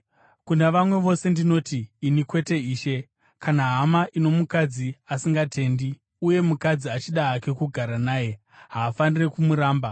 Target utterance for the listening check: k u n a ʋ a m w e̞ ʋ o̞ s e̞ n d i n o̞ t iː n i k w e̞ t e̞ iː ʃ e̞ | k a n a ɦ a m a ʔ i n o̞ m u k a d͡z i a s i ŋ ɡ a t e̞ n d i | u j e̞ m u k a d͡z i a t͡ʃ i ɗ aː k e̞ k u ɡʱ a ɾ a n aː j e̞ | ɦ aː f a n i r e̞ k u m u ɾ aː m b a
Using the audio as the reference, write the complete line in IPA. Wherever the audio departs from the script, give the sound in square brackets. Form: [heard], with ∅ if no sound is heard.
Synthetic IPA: k u n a ʋ a m w e̞ ʋ o̞ s e̞ n d i n o̞ t iː n i k w e̞ t e̞ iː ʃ e̞ | k a n a ɦ a m a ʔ i n o̞ m u k a d͡z i a s i ŋ ɡ a t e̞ n d i | u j e̞ m u k a d͡z i a t͡ʃ i ɗ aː k e̞ k u ɡʱ a ɾ a n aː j e̞ | ɦ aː f a n i r e̞ k u m u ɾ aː m b a